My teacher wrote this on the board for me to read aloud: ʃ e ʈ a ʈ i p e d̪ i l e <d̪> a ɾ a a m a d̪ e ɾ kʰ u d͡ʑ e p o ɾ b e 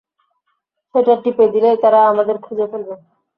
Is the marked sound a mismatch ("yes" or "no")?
yes